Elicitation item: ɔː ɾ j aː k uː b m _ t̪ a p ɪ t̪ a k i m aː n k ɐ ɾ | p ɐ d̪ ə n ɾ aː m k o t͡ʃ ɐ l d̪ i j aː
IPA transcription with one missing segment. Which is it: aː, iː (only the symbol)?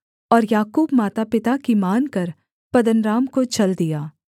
aː